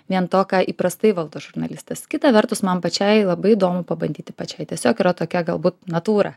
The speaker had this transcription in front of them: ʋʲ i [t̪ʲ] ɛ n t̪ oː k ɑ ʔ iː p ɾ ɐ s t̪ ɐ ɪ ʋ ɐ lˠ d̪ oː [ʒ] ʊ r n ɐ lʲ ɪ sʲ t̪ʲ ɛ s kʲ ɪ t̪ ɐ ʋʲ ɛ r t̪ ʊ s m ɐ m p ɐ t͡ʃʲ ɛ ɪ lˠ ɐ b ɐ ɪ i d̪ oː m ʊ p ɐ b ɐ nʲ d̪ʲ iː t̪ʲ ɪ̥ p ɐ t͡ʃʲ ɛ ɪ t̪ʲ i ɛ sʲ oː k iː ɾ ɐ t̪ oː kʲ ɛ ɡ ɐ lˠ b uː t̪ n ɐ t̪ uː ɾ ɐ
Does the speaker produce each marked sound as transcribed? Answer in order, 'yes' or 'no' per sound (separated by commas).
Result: no, yes